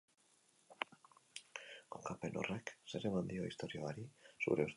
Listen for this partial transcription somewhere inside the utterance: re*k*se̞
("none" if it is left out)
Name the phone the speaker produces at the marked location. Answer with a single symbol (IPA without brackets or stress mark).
k